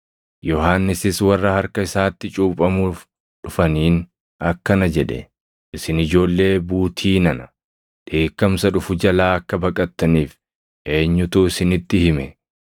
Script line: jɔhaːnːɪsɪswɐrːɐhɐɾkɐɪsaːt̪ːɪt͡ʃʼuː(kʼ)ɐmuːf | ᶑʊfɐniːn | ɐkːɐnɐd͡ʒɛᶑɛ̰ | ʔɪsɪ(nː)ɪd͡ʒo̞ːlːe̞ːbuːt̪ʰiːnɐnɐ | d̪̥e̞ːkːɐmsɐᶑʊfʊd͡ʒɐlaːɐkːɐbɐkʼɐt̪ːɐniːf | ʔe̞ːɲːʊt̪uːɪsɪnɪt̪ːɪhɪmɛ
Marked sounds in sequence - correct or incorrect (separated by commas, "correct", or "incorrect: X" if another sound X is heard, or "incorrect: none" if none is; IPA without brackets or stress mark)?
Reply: incorrect: pʼ, incorrect: n